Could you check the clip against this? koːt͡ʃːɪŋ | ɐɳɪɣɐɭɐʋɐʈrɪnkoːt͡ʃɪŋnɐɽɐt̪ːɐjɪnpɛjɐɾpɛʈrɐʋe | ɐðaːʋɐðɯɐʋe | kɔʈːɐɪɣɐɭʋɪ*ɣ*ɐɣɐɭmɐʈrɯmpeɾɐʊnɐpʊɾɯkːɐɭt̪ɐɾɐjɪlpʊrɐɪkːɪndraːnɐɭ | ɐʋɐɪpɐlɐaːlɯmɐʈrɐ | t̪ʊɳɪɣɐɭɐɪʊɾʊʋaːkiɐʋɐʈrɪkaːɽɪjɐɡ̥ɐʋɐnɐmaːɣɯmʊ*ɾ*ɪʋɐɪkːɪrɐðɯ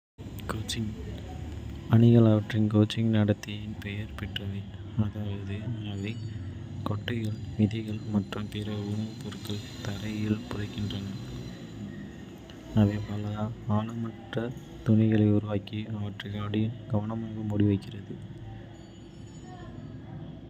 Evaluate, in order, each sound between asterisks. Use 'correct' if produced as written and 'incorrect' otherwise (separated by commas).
incorrect, incorrect